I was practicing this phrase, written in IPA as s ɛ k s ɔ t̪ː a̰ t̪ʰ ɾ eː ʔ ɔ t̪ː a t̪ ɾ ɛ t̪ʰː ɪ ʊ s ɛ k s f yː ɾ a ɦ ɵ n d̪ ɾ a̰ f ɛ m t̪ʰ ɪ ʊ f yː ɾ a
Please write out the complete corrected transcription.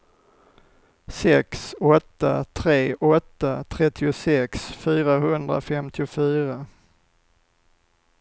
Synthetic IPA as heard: s ɛ k s ɔ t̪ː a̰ t̪ʰ ɾ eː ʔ ɔ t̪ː a t̪ʰ ɾ ɛ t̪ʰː ɪ ʊ s ɛ k s f yː ɾ a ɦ ɵ n d̪ ɾ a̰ f ɛ m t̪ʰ ɪ ʊ f yː ɾ a